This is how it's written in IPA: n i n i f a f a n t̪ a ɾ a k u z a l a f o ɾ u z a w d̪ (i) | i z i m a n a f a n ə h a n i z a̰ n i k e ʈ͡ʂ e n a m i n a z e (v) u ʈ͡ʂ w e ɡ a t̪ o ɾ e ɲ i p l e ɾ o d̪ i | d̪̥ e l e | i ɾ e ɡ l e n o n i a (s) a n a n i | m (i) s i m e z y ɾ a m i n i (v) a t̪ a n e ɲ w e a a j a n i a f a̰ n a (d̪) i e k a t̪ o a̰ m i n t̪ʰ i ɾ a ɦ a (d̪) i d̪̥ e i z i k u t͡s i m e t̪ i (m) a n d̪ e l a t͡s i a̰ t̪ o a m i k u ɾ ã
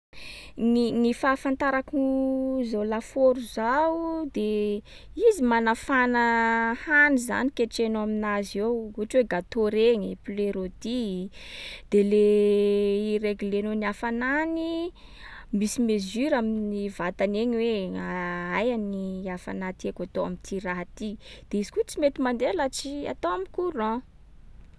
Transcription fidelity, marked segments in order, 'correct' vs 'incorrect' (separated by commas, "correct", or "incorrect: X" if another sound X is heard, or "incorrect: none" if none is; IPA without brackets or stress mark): incorrect: e, incorrect: w, incorrect: f, correct, correct, incorrect: t̪, incorrect: t̪, correct